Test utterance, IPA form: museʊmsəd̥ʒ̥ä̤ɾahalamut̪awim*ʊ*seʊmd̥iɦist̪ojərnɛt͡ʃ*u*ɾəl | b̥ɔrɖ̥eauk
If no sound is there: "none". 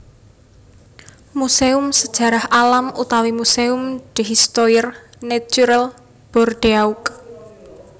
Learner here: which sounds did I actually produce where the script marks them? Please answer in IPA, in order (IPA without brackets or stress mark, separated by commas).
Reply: u, u